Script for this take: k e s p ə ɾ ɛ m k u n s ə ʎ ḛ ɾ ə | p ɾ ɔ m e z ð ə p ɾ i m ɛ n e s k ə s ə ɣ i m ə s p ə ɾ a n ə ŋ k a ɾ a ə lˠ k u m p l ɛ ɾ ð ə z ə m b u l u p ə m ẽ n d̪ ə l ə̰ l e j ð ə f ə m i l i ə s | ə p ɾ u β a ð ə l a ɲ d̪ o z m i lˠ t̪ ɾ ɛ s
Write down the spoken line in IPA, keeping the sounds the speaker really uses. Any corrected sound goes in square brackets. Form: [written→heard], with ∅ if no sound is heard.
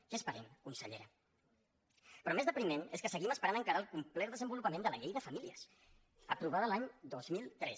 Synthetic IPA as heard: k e s p ə ɾ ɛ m k u n s ə ʎ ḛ ɾ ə | p ɾ ɔ m e z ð ə p ɾ i m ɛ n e s k ə s ə ɣ i m ə s p ə ɾ a n ə ŋ k a ɾ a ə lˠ k u m p l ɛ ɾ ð ə z ə m b u l u p ə m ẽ n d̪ ə l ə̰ [l→ʎ] e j ð ə f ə m i l i ə s | ə p ɾ u β a ð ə l a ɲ d̪ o z m i lˠ t̪ ɾ ɛ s